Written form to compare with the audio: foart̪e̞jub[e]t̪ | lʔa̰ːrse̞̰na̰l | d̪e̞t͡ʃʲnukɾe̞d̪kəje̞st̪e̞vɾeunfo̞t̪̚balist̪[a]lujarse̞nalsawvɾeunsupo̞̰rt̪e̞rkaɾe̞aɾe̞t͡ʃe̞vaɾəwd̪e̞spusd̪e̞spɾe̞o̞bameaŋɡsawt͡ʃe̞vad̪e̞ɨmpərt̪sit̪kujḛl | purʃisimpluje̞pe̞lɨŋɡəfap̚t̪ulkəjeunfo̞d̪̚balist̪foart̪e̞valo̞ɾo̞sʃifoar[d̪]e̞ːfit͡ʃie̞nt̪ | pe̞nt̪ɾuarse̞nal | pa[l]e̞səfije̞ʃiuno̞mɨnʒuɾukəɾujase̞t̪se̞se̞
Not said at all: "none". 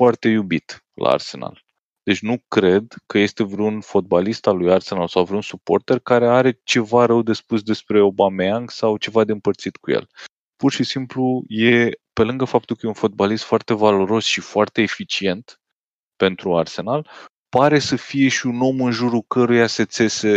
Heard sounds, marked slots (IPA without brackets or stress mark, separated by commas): i, a, t̪, ɾ